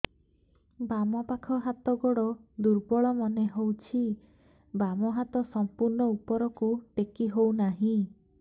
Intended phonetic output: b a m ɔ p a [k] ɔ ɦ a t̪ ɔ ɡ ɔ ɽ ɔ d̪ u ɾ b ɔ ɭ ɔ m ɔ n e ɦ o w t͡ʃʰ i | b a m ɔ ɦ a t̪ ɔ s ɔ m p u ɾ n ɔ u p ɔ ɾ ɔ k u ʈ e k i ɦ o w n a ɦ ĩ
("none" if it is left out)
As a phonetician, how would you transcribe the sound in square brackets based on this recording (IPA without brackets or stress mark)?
kʰ